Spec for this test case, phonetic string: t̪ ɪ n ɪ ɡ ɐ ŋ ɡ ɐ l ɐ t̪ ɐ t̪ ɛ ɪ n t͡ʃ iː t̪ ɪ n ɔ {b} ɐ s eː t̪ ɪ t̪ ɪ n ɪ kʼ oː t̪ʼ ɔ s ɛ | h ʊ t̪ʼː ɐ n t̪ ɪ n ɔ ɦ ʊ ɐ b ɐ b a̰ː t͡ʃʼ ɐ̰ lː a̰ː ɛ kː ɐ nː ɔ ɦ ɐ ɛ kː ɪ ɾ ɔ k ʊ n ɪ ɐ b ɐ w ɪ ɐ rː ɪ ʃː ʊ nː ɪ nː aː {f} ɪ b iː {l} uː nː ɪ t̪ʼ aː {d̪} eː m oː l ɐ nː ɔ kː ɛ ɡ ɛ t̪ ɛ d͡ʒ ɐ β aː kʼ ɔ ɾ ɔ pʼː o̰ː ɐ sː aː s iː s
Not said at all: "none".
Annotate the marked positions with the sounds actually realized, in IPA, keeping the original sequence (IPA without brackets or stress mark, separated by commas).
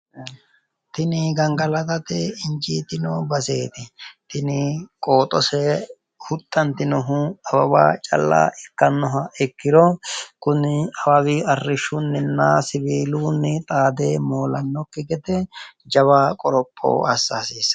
b, s, l, d̪